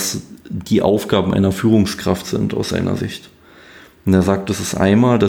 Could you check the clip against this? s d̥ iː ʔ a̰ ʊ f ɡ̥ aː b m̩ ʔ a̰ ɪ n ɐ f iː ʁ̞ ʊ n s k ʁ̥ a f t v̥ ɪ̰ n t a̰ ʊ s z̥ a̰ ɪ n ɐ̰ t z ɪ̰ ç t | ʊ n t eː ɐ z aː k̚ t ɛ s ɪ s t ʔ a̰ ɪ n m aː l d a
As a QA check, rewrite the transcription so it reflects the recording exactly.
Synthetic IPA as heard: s d̥ iː ʔ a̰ ʊ f ɡ̥ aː b m̩ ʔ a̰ ɪ n ɐ f yː ʁ̞ ʊ ŋ s k ʁ̥ a f t z̥ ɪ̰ n t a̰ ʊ s z̥ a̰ ɪ n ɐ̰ z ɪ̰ ç t | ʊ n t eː ɐ z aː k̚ t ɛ s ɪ s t ʔ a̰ ɪ n m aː l d a